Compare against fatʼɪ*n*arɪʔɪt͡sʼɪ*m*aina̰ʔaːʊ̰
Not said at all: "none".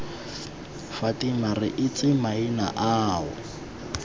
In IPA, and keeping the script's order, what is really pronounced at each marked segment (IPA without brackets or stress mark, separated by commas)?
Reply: m, m